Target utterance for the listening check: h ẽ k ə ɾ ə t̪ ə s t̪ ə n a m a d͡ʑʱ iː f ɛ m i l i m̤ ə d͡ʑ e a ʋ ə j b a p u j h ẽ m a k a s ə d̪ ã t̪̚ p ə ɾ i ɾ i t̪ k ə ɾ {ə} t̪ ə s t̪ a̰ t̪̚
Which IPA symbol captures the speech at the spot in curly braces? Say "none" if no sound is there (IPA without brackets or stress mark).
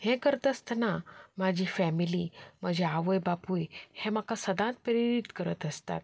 ə